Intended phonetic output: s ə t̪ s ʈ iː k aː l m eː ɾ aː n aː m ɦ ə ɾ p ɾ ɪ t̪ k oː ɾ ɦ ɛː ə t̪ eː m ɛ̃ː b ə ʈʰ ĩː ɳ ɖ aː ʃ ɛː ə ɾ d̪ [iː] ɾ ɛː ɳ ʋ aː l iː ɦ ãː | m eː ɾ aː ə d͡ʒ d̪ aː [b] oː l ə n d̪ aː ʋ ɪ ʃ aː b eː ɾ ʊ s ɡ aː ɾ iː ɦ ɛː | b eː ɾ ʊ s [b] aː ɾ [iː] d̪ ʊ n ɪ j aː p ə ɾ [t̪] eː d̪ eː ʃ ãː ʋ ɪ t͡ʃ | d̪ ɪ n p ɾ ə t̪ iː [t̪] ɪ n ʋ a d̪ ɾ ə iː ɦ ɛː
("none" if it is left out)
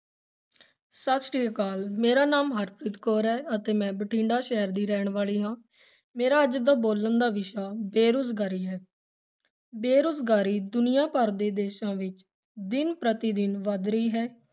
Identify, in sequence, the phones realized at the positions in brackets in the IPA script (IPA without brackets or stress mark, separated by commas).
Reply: iː, b, ɡ, iː, d̪, d̪